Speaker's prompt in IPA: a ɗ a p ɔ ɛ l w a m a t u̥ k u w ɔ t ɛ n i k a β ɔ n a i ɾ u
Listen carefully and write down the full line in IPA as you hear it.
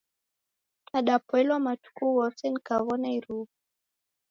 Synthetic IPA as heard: a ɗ a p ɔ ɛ l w a m a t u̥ k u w ɔ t ɛ n i k a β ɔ n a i ɾ u